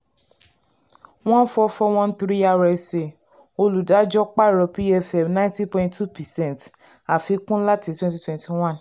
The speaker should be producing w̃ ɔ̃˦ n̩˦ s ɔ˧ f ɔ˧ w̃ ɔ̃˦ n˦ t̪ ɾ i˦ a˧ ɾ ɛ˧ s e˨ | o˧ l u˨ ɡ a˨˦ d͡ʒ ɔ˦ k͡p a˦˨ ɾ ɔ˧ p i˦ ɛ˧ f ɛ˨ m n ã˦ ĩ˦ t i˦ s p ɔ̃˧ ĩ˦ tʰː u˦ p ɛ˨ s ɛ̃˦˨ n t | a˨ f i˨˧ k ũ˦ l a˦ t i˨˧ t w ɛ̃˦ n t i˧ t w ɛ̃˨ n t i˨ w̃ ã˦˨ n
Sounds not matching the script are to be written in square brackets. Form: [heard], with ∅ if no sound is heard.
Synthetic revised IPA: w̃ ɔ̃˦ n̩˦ [f] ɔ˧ f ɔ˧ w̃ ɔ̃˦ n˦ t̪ ɾ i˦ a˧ ɾ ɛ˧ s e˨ | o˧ l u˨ [d] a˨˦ d͡ʒ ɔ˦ k͡p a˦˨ ɾ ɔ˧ p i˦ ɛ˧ f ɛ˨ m n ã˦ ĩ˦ t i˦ [∅] p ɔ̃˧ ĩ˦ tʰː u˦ p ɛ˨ s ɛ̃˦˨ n t | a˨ f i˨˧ k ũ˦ l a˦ t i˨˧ t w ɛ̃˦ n t i˧ t w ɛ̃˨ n t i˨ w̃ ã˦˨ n

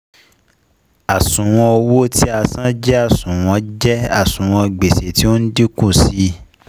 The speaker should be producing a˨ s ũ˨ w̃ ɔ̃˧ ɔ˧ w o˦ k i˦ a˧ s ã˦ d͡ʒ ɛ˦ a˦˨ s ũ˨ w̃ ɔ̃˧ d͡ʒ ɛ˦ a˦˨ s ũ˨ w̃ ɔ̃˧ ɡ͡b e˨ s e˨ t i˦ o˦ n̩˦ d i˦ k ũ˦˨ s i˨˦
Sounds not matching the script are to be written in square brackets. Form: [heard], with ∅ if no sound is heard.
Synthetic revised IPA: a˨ s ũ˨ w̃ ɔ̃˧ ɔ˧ w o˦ [t] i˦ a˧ s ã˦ d͡ʒ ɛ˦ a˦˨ s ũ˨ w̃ ɔ̃˧ d͡ʒ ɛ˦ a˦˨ s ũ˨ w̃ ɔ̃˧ ɡ͡b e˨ s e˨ t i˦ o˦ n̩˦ d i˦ k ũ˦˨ s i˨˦

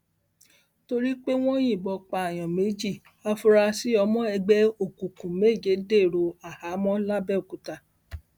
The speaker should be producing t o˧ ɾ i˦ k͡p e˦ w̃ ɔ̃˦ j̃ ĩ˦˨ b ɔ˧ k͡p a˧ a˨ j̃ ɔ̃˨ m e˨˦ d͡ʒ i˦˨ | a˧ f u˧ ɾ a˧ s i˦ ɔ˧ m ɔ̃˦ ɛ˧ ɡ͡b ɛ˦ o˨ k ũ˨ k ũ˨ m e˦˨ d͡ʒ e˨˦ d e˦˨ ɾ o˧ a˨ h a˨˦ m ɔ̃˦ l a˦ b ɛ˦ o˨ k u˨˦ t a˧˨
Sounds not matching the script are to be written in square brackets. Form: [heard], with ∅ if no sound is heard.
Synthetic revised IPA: t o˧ ɾ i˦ k͡p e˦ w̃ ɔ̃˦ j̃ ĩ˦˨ b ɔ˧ k͡p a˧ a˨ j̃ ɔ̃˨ m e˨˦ d͡ʒ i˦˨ | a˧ f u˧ ɾ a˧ s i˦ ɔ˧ m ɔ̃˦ ɛ˧ ɡ͡b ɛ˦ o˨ k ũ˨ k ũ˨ m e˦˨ d͡ʒ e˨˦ d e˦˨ ɾ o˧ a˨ h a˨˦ m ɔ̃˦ l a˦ b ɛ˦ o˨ k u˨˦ t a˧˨

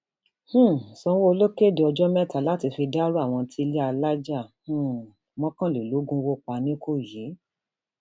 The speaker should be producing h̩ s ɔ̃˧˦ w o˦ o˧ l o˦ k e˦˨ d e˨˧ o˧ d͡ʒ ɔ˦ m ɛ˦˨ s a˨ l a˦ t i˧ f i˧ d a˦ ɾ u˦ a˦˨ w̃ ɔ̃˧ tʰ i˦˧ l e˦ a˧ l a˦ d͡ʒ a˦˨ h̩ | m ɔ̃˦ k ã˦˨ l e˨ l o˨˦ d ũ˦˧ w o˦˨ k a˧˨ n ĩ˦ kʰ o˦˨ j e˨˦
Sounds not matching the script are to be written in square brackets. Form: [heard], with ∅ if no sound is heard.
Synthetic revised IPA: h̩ s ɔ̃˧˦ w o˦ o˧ l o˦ k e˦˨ d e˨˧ [ɔ˧] d͡ʒ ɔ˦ m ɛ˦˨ [t] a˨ l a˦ t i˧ f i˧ d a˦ ɾ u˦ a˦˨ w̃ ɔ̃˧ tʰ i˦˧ l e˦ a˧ l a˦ d͡ʒ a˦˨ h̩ | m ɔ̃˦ k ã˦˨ l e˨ l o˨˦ [ɡ] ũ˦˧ w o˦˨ [k͡p] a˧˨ n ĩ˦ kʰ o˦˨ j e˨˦

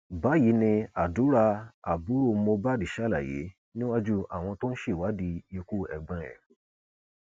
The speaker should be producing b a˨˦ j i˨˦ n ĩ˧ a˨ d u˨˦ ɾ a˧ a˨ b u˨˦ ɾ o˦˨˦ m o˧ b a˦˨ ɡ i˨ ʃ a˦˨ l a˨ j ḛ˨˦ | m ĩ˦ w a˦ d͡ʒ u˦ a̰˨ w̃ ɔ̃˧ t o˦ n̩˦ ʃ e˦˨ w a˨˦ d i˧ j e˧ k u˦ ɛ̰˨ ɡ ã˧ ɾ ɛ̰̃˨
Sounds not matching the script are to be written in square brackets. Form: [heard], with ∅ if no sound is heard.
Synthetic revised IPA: b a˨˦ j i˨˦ n ĩ˧ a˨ d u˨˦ ɾ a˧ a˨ b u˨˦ ɾ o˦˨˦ m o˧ b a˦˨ [d] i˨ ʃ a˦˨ l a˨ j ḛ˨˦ | [n] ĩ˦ w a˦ d͡ʒ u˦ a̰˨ w̃ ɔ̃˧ t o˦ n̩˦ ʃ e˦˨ w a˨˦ d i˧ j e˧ k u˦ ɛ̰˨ [ɡ͡b] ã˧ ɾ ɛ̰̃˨

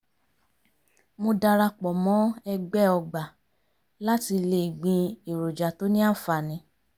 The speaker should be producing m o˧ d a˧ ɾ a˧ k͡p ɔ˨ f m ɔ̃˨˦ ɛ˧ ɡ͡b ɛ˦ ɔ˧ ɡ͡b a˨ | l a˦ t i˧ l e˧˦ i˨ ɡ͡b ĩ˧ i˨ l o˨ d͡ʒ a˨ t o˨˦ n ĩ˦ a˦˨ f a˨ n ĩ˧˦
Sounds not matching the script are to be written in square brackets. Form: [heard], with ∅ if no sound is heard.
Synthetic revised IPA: m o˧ d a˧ ɾ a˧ k͡p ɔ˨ [∅] m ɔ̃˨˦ ɛ˧ ɡ͡b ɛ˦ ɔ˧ ɡ͡b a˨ | l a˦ t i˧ l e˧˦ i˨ ɡ͡b ĩ˧ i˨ [ɾ] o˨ d͡ʒ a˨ t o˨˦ n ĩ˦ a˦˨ f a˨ n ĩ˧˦

